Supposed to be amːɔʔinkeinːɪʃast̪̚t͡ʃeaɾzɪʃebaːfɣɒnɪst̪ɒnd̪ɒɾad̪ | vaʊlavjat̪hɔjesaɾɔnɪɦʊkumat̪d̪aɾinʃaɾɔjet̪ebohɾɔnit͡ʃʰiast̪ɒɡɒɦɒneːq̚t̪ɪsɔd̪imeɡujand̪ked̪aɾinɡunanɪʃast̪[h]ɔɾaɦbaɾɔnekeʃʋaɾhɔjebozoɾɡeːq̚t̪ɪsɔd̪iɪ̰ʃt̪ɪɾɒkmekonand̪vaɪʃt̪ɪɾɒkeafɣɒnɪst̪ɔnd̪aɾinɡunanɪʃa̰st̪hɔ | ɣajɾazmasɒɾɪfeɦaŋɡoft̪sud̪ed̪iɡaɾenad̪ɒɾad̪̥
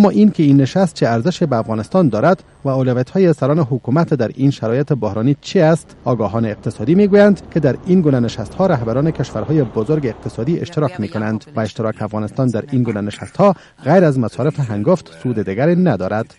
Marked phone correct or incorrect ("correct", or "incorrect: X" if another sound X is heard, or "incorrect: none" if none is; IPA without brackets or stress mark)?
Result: correct